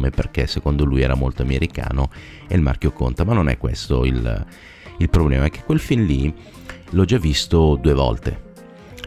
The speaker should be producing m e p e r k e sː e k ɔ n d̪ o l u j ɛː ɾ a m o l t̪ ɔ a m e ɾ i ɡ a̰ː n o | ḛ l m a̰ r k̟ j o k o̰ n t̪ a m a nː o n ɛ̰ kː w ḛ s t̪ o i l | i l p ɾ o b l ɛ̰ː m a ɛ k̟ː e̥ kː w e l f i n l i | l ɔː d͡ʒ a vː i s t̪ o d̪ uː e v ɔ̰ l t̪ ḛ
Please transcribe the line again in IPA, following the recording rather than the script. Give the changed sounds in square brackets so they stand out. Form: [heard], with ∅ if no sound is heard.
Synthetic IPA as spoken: m e p e r k e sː e k [o] n d̪ o l u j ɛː ɾ a m o l t̪ [o] a m e ɾ i [k] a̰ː n o | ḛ l m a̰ r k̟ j o k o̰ n t̪ a m a nː o n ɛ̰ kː w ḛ s t̪ o i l | i l p ɾ o b l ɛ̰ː m a ɛ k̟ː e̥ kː w e l f i n l i | l [ɔ] d͡ʒ a vː i s t̪ o d̪ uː e v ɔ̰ l t̪ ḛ